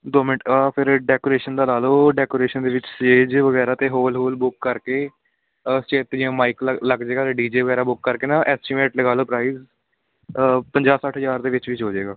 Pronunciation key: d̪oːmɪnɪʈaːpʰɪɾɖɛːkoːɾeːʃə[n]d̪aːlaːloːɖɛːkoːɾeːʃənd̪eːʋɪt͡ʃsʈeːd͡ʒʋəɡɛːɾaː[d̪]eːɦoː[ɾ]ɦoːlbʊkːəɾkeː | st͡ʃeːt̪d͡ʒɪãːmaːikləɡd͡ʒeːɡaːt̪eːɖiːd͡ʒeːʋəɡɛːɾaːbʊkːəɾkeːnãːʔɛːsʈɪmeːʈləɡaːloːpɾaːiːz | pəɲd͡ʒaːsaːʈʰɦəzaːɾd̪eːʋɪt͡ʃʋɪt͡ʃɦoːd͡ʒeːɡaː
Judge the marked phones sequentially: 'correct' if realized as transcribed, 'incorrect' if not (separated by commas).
correct, incorrect, incorrect